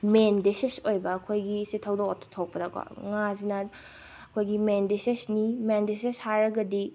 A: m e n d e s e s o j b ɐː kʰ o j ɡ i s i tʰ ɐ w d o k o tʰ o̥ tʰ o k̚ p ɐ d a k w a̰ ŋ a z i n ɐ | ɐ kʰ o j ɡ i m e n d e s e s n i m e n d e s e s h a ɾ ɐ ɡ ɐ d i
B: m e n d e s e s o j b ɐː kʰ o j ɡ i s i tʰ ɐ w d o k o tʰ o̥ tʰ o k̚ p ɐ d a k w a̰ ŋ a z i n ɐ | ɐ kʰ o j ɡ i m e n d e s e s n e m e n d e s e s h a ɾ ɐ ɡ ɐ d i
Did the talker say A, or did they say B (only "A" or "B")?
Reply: A